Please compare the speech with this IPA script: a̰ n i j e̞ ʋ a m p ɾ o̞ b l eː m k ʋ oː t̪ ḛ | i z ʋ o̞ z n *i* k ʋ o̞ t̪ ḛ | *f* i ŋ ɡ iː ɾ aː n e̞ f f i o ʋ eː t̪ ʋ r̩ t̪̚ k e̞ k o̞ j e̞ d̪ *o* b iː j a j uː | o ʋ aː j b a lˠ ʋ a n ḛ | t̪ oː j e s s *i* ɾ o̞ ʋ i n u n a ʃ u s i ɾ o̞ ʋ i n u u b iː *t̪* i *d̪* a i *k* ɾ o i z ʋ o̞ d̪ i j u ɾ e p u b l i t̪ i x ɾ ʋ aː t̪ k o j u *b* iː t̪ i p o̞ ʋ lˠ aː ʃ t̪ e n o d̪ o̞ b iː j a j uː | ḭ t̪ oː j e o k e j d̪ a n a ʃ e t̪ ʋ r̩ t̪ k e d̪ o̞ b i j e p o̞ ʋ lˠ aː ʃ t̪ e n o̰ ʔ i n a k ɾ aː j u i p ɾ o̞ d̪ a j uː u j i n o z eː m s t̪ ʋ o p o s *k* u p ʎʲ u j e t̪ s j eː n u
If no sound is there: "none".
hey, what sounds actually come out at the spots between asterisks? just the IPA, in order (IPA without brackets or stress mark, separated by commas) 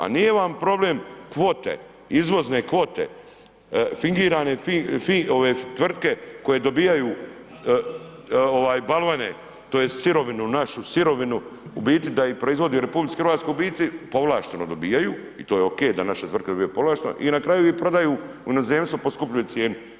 e, f, o, i, t̪, d̪, p, b, k